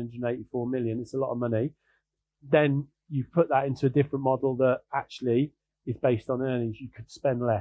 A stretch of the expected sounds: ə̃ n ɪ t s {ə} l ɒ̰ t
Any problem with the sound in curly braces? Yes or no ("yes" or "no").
no